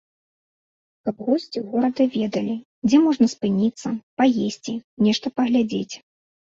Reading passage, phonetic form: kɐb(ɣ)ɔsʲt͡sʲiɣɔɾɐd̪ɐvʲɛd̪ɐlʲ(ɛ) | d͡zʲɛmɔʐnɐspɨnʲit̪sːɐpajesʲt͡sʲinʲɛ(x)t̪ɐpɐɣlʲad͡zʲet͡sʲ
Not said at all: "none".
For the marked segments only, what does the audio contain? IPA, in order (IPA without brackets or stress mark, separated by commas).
ɣ, i, ʂ